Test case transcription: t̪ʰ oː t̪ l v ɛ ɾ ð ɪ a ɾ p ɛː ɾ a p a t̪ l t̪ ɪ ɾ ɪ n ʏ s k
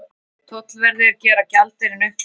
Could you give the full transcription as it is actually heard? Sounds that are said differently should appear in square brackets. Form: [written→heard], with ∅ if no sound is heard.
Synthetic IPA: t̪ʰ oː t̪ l v ɛ ɾ ð ɪ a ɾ [p→c] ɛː ɾ a [p→c] a [t̪→∅] l t̪ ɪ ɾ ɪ n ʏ [s→h] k